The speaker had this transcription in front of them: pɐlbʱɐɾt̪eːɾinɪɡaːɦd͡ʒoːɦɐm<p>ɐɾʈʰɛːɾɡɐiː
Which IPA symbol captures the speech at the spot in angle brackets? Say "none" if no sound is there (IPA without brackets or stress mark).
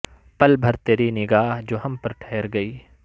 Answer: p